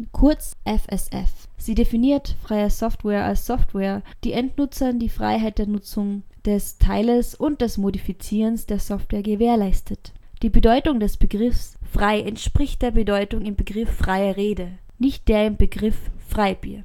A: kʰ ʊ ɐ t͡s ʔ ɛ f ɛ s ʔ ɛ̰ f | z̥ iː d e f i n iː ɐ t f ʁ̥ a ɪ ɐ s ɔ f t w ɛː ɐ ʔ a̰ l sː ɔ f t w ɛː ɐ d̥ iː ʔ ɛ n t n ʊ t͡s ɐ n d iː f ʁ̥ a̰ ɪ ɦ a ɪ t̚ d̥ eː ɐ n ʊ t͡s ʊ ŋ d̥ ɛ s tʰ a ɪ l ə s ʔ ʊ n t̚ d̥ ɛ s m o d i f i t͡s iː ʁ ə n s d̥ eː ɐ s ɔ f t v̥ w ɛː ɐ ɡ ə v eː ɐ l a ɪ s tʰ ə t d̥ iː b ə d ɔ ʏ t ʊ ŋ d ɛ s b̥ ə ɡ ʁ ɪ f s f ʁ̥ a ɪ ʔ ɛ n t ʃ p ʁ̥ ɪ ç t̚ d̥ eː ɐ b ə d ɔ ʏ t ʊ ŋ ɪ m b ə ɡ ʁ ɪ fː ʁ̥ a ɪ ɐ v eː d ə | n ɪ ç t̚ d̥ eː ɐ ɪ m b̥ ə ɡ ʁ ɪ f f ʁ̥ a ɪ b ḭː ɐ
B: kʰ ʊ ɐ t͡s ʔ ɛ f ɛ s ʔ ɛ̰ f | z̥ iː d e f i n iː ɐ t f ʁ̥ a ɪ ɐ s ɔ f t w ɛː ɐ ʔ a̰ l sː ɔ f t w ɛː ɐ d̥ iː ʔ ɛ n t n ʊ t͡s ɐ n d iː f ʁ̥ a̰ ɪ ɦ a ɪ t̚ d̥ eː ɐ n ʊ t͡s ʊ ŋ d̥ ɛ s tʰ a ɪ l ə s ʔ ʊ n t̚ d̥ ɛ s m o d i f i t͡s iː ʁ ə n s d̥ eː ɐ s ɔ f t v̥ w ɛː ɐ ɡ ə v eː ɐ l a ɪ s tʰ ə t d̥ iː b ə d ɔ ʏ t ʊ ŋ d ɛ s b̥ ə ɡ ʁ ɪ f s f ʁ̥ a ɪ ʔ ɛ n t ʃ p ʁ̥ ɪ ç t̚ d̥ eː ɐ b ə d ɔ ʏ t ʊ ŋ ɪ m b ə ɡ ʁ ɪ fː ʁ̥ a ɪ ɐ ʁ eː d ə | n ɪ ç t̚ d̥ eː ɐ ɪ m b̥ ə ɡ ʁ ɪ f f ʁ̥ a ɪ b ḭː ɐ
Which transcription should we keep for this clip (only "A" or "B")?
B